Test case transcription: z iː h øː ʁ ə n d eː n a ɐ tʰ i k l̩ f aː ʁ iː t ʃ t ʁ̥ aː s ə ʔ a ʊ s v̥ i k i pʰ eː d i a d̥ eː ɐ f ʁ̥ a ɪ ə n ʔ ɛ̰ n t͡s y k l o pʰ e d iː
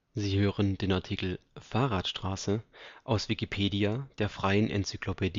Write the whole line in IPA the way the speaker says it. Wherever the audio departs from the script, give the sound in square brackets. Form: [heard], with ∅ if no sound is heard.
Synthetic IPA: z iː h øː ʁ ə n d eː n a ɐ tʰ i k l̩ f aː ʁ [aː] t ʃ t ʁ̥ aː s ə ʔ a ʊ s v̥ i k i pʰ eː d i a d̥ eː ɐ f ʁ̥ a ɪ ə n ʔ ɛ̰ n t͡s y k l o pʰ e d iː